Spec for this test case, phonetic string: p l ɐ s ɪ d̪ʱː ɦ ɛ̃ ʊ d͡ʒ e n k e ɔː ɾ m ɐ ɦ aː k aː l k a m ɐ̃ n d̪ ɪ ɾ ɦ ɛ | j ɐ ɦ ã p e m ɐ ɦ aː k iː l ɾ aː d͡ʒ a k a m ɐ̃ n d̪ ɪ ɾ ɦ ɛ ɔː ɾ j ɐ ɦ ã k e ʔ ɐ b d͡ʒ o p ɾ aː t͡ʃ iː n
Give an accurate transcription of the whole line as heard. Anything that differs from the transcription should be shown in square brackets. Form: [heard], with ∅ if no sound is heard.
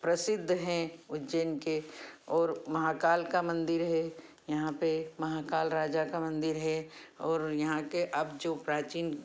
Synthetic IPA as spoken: p [ɾ] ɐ s ɪ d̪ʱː ɦ ɛ̃ ʊ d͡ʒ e n k e ɔː ɾ m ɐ ɦ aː k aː l k a m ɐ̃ n d̪ ɪ ɾ ɦ ɛ | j ɐ ɦ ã p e m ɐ ɦ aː k [aː] l ɾ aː d͡ʒ a k a m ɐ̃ n d̪ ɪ ɾ ɦ ɛ ɔː ɾ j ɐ ɦ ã k e ʔ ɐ b d͡ʒ o p ɾ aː t͡ʃ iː n